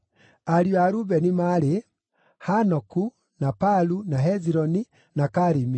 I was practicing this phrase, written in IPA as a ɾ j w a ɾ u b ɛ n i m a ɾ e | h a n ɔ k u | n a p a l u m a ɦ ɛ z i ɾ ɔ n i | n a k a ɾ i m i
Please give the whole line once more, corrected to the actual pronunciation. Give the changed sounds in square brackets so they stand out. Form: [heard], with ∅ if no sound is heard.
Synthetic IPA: a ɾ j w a ɾ u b ɛ n i m a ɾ e | h a n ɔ k u | n a p a l u [n] a ɦ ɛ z i ɾ ɔ n i | n a k a ɾ i m i

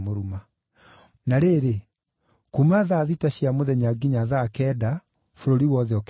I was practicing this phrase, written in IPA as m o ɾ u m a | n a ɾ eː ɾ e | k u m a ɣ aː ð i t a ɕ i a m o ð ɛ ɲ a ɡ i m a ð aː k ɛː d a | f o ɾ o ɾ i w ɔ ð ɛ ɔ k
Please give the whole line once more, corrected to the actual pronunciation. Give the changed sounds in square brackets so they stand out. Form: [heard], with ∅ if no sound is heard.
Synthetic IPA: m o ɾ u m a | n a ɾ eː ɾ e | k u m a [ð] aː ð i t a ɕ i a m o ð ɛ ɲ a ɡ i [ɲ] a ð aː k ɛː d a | f o ɾ o ɾ i w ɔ ð ɛ ɔ k

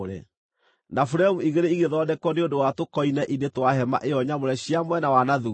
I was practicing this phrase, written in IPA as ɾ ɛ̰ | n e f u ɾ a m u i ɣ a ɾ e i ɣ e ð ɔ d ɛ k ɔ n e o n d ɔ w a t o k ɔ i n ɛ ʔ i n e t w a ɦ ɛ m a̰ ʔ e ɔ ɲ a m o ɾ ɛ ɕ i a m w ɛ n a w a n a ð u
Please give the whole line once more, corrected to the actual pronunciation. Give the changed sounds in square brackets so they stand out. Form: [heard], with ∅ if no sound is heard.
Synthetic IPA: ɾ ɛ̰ | n [a] f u ɾ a m u i ɣ [e] ɾ e i ɣ e ð ɔ d ɛ k ɔ n e o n d [o] w a t o k ɔ i n ɛ ʔ i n e t w a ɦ ɛ m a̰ ʔ e ɔ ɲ a m o ɾ ɛ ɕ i a m w ɛ n a w a n a ð u

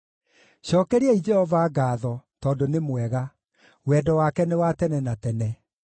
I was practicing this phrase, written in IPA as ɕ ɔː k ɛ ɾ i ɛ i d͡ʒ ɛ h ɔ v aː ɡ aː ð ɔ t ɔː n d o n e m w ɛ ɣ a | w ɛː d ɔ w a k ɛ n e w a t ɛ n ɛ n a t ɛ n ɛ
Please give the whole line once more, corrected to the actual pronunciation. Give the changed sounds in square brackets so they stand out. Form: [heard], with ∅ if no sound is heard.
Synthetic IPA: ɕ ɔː k ɛ ɾ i ɛ i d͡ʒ ɛ h ɔ v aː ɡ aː ð ɔ t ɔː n d o n e m w ɛ ɣ a | w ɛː d ɔ w a k ɛ n e w a t ɛ n ɛ n a t ɛ n ɛ

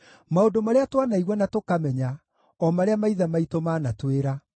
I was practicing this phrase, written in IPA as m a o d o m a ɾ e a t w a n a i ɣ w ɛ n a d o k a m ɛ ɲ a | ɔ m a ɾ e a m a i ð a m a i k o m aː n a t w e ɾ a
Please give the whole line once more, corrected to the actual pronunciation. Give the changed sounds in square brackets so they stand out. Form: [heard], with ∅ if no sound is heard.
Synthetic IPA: m a o d o m a ɾ e a t w a n a i ɣ w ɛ n a [t] o k a m ɛ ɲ a | ɔ m a ɾ e a m a i ð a m a i [t] o m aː n a t w e ɾ a

